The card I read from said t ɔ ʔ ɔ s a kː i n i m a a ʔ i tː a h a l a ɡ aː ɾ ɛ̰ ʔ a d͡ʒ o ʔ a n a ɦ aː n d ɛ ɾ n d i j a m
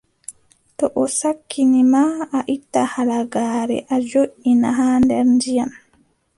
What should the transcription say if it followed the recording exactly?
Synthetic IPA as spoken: t ɔ ʔ ɔ s a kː i n i m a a ʔ i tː a h a l a ɡ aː ɾ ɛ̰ ʔ a d͡ʒ o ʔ i n a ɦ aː n d ɛ ɾ n d i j a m